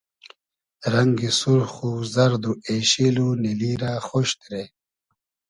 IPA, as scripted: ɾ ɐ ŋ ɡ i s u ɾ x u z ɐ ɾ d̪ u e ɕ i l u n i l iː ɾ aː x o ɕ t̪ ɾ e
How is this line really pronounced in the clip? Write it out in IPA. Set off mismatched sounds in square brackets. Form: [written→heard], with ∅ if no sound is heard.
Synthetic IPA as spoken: ɾ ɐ ŋ ɡ i s u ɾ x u z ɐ ɾ d̪ u e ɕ i l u n i l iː ɾ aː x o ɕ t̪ ɾ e